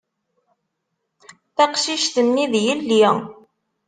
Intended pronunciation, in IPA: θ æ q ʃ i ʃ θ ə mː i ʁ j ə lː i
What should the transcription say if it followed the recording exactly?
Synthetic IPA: θ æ q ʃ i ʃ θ ə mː i ð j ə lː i